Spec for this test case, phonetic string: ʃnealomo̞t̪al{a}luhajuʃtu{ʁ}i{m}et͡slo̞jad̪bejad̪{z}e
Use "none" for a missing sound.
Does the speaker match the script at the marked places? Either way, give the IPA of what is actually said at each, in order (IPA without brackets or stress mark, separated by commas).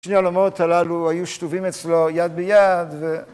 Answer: a, v, m, v